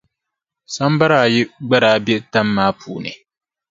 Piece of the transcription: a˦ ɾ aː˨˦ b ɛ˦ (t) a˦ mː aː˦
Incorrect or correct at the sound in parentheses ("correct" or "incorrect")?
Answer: correct